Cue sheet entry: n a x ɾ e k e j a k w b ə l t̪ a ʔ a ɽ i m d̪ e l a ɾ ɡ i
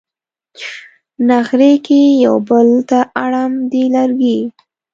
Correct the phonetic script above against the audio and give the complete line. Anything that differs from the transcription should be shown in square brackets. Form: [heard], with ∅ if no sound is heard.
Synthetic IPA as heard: n a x ɾ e k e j a [∅] w b ə l t̪ a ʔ a ɽ [a] m d̪ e l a ɾ ɡ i